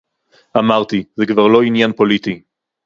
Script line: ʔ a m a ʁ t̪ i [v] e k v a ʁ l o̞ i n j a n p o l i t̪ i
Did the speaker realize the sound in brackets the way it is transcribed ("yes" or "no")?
no